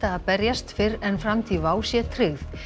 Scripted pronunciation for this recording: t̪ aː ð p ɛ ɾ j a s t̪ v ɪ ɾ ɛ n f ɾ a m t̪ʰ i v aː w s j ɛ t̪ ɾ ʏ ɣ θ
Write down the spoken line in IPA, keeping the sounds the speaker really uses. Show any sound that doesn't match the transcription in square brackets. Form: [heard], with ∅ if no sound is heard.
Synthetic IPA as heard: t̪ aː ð p ɛ ɾ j a s t̪ [f] ɪ ɾ ɛ n f ɾ a m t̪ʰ i v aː w s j ɛ [t̪ʰ] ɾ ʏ ɣ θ